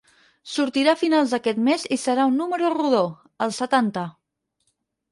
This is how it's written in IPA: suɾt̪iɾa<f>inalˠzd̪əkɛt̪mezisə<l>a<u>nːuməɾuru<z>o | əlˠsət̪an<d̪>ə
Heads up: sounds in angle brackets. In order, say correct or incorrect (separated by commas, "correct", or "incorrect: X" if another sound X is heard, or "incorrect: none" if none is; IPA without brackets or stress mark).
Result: correct, incorrect: ɾ, correct, incorrect: ð, incorrect: t̪